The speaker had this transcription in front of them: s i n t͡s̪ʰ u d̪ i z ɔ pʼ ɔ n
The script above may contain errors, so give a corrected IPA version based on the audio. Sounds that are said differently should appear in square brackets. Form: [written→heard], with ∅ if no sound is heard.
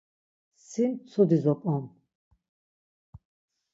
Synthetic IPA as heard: s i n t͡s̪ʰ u d̪ i z ɔ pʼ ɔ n